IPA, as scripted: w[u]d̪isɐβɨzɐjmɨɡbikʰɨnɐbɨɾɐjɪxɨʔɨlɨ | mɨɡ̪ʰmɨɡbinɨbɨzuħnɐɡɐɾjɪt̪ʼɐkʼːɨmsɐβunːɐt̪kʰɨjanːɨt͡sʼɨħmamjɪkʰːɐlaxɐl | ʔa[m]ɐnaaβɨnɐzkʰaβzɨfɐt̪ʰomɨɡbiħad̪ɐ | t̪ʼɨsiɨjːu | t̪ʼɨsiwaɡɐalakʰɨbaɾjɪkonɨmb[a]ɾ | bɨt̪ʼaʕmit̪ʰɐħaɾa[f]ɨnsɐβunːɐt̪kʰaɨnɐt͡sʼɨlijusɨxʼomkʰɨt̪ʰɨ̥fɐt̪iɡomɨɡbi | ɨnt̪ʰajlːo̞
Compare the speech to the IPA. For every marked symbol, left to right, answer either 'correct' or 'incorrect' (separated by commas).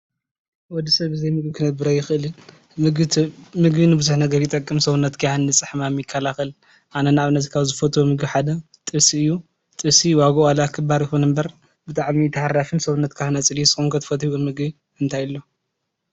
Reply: incorrect, incorrect, incorrect, correct